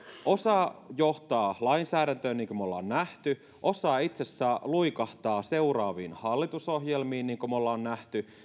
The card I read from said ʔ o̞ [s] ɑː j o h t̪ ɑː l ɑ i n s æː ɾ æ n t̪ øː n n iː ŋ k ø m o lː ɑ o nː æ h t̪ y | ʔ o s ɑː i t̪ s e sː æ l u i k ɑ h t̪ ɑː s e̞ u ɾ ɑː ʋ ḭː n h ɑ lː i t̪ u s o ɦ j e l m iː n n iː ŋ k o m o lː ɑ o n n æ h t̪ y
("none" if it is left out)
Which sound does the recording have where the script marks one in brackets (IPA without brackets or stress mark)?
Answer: s